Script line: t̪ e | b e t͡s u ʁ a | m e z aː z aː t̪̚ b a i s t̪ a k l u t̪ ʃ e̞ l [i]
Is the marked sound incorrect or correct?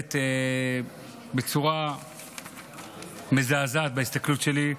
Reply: correct